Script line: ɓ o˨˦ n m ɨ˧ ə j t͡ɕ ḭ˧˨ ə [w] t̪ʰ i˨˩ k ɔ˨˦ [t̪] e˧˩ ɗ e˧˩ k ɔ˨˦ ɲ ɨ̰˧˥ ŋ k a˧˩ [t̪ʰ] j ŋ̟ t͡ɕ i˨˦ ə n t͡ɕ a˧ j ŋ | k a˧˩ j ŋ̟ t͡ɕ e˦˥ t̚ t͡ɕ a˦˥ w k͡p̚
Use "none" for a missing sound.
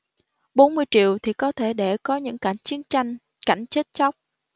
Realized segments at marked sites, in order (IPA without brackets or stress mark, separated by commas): w, t̪ʰ, none